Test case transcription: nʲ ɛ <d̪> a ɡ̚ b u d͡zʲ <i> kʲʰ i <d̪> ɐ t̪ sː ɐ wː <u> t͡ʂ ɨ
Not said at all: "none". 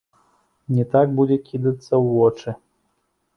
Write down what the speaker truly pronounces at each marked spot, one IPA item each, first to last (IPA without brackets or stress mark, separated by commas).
t̪, ɛ, d̪, ɔ